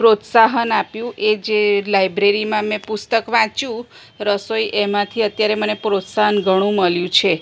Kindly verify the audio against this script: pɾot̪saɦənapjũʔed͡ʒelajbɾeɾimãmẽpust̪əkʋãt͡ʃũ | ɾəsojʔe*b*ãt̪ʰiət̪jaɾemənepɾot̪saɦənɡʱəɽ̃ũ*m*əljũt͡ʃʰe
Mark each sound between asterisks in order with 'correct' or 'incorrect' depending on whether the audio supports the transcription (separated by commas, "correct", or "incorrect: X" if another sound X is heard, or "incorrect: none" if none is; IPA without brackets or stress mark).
incorrect: m, correct